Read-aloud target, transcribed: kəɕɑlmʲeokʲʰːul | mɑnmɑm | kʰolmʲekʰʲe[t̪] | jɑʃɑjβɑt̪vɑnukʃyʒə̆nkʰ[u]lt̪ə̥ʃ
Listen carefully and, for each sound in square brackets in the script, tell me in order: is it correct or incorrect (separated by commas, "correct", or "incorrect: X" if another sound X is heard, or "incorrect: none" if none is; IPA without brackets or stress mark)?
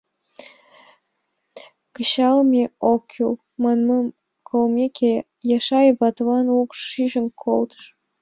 incorrect: none, incorrect: o